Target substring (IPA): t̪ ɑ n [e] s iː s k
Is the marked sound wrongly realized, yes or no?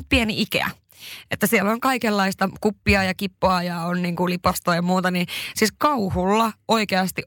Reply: yes